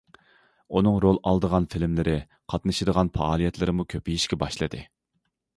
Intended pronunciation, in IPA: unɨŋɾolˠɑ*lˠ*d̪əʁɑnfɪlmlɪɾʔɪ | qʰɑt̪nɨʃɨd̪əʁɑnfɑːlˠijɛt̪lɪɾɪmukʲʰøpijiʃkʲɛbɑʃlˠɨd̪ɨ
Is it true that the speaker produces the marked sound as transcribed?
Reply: yes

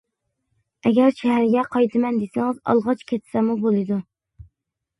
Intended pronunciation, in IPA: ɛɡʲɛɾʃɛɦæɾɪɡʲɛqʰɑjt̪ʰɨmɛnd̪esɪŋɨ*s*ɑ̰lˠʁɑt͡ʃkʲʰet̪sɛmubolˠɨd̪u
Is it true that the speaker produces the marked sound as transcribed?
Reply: no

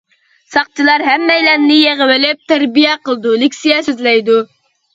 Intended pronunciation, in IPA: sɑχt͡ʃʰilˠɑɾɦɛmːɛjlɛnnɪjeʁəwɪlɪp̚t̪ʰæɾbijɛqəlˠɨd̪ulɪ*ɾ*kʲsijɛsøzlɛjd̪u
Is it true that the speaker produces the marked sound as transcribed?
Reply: no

